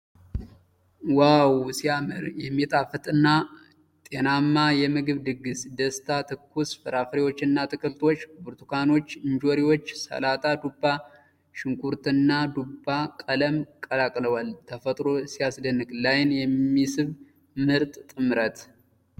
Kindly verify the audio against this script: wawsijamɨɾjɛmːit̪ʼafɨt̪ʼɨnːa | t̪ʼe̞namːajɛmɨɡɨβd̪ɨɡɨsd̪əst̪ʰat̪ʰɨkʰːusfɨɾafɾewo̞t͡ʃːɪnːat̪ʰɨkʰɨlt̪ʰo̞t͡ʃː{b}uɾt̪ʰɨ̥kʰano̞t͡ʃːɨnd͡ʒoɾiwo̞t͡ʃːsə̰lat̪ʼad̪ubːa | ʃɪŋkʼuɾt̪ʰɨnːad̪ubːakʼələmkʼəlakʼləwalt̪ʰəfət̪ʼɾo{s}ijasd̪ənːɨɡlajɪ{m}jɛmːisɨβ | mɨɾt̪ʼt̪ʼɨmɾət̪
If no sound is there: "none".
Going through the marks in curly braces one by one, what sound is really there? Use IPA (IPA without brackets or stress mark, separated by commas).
b, s, n